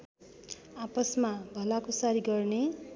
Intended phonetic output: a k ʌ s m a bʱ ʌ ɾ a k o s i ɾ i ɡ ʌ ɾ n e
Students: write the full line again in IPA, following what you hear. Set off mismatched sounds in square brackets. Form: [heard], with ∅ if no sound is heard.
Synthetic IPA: a [p] ʌ s m a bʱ ʌ [l] a k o s [a] ɾ i ɡ ʌ [r] n e

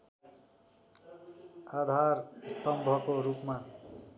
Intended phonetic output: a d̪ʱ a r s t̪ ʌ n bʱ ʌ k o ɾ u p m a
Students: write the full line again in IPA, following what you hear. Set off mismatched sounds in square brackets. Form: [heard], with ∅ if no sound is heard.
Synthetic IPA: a d̪ʱ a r s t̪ ʌ [m] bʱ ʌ k o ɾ u p m a

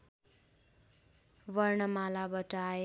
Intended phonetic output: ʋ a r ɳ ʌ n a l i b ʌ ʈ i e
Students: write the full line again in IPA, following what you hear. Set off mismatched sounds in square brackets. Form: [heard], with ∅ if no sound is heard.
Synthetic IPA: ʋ [ʌ] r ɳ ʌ [m] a l [a] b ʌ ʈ [a] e

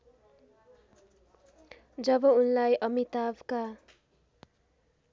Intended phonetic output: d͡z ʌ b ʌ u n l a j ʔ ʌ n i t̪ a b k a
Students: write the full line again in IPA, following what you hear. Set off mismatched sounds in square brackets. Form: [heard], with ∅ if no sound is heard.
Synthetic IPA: d͡z ʌ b ʌ u n l a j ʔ ʌ [m] i t̪ a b k a

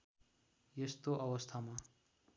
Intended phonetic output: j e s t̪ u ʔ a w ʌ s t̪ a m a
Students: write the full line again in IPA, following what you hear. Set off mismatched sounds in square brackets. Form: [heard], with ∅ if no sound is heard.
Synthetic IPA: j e s t̪ [o] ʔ [ʌ] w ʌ s [t̪ʰ] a m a

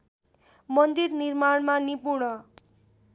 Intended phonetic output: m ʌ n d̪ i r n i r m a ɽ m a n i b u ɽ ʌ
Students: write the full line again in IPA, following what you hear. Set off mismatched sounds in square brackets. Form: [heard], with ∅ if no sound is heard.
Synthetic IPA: m ʌ n d̪ i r n i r m a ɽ m a n i [p] u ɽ ʌ

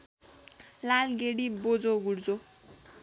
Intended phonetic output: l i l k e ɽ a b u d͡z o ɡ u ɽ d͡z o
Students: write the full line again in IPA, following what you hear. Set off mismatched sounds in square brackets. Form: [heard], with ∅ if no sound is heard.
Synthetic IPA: l [a] l [ɡ] e ɽ [i] b [o] d͡z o ɡ u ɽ d͡z o

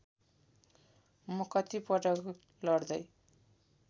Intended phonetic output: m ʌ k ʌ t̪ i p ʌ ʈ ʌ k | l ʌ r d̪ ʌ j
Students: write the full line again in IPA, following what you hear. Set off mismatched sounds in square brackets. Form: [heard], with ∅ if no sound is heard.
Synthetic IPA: m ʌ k ʌ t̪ i p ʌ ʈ ʌ k | l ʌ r d̪ ʌ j

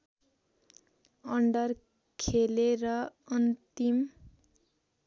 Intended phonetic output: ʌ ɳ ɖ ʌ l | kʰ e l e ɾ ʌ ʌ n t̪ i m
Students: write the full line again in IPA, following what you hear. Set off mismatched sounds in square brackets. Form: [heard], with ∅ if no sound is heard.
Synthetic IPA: ʌ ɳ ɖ ʌ [r] | kʰ e l e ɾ ʌ ʌ n t̪ i m

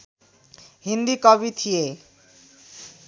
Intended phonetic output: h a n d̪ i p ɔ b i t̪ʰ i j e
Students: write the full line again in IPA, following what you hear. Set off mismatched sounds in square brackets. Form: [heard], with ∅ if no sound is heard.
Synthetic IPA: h [i] n d̪ i [k] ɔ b i t̪ʰ i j e

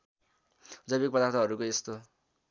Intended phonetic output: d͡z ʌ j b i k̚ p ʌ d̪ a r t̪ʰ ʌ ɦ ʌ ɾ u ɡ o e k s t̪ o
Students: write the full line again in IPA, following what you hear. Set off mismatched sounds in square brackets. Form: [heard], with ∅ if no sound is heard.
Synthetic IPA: d͡z ʌ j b i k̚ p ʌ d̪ a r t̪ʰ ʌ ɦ ʌ ɾ u [k] o e [∅] s t̪ o

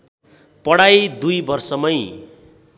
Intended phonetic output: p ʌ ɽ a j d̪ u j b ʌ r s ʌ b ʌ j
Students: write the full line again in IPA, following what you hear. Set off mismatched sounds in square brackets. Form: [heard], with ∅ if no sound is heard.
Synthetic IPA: p ʌ ɽ a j d̪ u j b ʌ r s ʌ [m] ʌ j

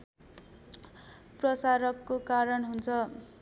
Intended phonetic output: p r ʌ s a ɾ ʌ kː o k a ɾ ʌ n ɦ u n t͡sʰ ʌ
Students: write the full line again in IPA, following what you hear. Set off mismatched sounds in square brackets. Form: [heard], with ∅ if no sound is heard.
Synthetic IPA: p r ʌ s a ɾ ʌ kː o k a ɾ ʌ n ɦ u n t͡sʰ ʌ

